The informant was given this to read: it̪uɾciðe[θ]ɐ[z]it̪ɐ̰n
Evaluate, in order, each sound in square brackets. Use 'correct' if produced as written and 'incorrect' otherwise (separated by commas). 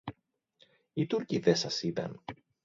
incorrect, incorrect